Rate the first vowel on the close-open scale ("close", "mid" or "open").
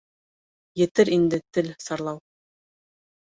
mid